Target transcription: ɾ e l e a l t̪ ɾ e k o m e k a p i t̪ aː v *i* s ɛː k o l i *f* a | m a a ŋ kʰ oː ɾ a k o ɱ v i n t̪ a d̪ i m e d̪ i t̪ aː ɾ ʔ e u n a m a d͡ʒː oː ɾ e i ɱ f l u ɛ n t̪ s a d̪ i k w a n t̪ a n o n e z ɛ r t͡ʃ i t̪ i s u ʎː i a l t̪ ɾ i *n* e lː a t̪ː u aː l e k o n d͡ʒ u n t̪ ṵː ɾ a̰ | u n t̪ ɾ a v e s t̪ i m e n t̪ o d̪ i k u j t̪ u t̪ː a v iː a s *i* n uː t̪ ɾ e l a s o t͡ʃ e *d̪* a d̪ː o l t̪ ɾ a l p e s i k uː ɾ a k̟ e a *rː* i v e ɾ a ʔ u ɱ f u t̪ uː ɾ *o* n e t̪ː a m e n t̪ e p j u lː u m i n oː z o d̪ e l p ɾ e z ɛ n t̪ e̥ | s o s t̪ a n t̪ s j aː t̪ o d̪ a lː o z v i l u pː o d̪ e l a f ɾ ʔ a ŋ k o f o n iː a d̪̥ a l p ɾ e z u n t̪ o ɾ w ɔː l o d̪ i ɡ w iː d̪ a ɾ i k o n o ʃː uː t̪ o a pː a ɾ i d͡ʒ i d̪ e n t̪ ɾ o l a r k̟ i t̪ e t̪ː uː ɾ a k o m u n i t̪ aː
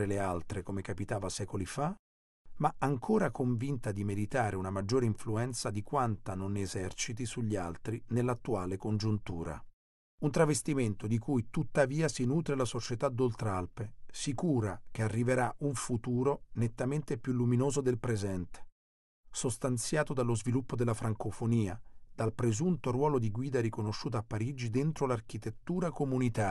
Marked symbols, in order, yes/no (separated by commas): no, yes, yes, yes, no, yes, yes